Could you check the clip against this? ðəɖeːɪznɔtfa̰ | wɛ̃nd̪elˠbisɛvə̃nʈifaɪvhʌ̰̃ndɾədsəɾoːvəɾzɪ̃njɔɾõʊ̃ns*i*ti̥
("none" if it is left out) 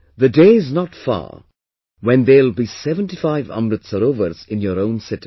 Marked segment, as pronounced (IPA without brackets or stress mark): ɪ